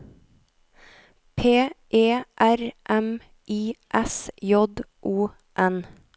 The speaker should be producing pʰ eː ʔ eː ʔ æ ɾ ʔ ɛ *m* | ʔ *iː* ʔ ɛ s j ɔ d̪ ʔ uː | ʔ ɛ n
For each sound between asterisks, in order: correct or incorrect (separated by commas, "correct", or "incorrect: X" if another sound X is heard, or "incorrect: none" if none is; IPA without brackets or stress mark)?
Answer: correct, correct